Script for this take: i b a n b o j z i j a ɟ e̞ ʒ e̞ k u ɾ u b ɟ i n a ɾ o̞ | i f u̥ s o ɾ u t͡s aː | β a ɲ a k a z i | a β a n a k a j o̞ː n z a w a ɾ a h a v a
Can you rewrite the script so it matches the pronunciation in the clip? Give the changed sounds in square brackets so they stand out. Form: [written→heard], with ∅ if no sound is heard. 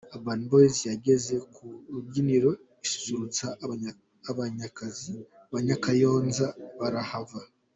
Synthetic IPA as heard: [i→a] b a n b o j z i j a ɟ e̞ [ʒ→z] e̞ k u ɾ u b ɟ i n [a→i] ɾ o̞ | i [f→s] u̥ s [o→u] ɾ u t͡s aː | β a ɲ a k a z i | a β a [n→ɲ] a k a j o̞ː n z a [w→β] a ɾ a h a v a